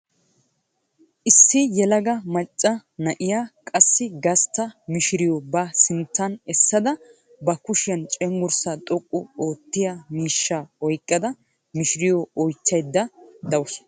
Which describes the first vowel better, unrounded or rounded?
unrounded